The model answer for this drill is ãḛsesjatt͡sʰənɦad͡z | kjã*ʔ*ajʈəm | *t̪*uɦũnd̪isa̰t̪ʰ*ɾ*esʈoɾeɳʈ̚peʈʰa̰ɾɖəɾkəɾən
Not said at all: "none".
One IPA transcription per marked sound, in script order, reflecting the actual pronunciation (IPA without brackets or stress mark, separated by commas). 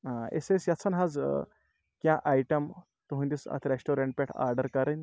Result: ʔ, t̪, ɾ